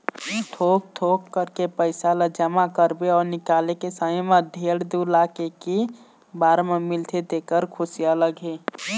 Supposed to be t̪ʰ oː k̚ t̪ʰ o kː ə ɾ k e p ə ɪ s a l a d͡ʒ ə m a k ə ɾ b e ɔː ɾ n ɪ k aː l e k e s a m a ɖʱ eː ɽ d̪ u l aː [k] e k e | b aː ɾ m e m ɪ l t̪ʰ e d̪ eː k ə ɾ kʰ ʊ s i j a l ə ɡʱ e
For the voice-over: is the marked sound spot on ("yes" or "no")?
yes